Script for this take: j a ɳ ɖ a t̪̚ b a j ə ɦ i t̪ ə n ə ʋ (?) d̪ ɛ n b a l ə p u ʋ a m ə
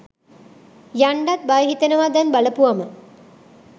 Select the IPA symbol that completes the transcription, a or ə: a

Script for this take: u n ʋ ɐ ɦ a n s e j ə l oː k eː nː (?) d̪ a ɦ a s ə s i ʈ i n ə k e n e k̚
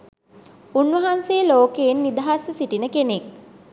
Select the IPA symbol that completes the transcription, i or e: i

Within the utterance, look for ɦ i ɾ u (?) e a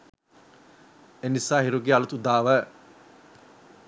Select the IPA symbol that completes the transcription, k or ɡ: ɡ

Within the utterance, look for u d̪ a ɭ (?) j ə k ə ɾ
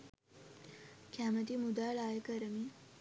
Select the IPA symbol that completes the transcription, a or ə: a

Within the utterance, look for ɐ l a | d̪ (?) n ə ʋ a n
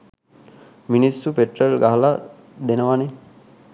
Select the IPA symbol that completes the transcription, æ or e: e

